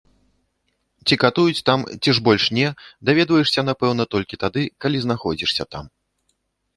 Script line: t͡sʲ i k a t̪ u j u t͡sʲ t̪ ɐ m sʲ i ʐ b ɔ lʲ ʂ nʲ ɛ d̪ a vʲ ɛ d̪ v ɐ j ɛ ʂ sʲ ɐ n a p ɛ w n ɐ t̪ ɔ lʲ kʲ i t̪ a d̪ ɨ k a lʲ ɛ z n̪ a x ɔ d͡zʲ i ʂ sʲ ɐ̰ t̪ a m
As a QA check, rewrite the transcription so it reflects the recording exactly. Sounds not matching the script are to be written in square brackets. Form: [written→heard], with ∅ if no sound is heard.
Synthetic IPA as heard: t͡sʲ i k a t̪ u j u t͡sʲ t̪ [ɐ→a] m [sʲ→t͡sʲ] i ʐ b ɔ lʲ ʂ nʲ ɛ d̪ a vʲ ɛ d̪ v ɐ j ɛ ʂ sʲ ɐ n a p ɛ w n ɐ t̪ ɔ lʲ kʲ i t̪ a d̪ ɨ k a lʲ [ɛ→i] z n̪ a x ɔ d͡zʲ i ʂ sʲ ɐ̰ t̪ a m